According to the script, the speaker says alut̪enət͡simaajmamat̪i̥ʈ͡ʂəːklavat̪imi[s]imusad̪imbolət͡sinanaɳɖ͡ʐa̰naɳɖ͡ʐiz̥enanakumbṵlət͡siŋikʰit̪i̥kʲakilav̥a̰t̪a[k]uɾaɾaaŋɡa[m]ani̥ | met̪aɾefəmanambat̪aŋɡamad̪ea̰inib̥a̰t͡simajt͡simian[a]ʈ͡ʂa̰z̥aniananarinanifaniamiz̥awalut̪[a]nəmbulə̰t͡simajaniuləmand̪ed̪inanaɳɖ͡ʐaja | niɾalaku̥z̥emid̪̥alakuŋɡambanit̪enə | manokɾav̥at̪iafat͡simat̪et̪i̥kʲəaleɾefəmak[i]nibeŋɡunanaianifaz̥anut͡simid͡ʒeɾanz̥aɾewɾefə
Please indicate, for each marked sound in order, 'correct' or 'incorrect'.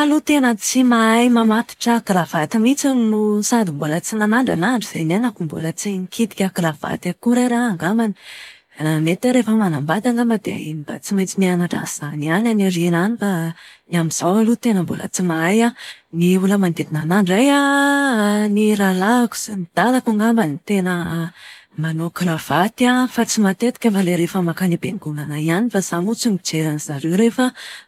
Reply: incorrect: t͡s, correct, correct, correct, incorrect: e, incorrect: a

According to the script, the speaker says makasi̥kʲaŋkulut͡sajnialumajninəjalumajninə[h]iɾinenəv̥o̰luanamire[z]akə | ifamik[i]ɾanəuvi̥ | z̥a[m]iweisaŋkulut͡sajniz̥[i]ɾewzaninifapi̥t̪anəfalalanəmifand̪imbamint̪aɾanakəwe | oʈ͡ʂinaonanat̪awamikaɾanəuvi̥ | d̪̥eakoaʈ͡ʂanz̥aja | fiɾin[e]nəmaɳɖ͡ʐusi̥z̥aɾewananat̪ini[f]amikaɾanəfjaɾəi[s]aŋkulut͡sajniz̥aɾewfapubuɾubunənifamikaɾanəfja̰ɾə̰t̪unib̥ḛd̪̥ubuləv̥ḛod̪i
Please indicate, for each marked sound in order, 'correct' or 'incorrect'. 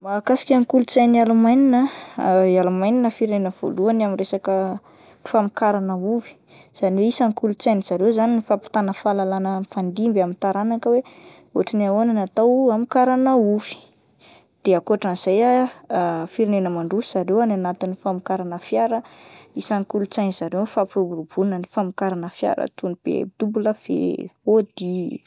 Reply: incorrect: f, incorrect: s, incorrect: a, incorrect: n, incorrect: a, correct, correct, correct

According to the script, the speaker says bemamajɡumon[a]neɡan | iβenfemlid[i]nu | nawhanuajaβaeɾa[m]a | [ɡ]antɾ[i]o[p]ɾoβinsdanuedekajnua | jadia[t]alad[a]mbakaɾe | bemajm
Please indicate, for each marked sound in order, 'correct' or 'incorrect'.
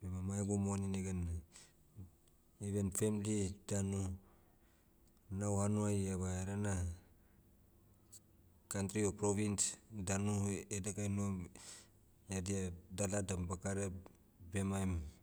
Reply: incorrect: i, incorrect: a, incorrect: n, incorrect: k, correct, correct, incorrect: d, correct

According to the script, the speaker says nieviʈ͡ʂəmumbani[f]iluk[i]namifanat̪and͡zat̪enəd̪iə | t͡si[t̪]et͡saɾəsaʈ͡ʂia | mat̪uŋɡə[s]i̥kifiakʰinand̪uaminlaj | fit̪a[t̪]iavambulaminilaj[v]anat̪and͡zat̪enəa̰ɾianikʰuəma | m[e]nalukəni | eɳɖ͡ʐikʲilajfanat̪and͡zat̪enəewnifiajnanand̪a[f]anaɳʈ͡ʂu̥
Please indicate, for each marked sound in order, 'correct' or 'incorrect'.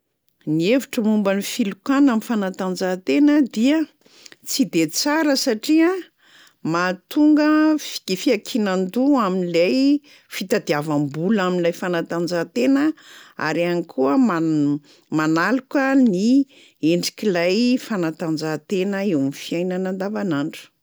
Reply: correct, incorrect: a, incorrect: d̪, incorrect: f, incorrect: d̪, incorrect: f, incorrect: a, incorrect: v

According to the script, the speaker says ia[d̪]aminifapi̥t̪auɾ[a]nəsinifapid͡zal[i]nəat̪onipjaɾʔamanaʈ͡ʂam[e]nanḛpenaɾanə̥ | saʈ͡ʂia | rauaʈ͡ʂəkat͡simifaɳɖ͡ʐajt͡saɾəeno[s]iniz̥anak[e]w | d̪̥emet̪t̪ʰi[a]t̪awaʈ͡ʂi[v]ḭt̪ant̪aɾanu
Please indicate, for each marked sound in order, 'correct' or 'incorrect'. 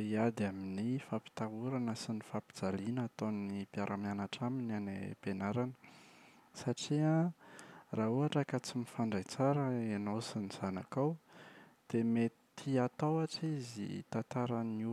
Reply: correct, correct, correct, incorrect: i, correct, incorrect: a, correct, incorrect: z

